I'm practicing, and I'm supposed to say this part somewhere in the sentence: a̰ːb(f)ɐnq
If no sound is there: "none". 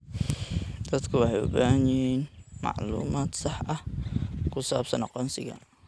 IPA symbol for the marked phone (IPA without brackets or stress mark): s